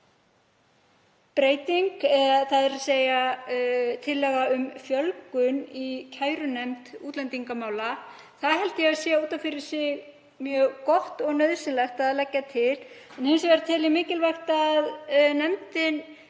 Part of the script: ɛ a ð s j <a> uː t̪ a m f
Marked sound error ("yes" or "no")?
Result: yes